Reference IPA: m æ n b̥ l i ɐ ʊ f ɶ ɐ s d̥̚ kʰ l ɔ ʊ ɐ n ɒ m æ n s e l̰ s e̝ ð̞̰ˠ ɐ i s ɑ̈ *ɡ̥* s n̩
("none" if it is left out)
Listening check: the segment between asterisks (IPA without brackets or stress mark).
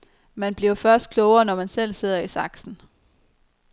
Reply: ɡ̥